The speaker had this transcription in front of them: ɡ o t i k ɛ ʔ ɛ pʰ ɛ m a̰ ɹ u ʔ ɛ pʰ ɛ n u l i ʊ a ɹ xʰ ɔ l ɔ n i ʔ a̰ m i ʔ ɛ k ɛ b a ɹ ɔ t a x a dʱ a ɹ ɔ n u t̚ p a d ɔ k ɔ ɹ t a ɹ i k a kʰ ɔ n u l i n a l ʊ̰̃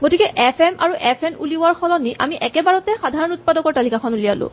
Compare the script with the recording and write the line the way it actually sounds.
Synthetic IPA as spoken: ɡ o t i k ɛ ʔ ɛ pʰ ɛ m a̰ ɹ u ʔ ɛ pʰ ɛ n u l i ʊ a ɹ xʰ ɔ l ɔ n i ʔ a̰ m i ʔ ɛ k ɛ b a ɹ ɔ t ɛ x a dʱ a ɹ ɔ n u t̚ p a d ɔ k ɔ ɹ t a l i k a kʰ ɔ n u l i a l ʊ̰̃